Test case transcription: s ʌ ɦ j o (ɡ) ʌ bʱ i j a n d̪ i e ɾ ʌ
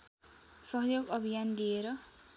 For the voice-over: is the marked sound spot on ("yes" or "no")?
yes